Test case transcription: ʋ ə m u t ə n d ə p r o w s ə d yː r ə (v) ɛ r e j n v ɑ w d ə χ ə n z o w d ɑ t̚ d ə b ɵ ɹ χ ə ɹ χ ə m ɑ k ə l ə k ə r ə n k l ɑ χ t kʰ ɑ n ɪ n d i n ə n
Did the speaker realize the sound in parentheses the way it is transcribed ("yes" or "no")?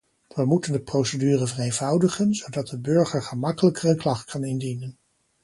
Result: yes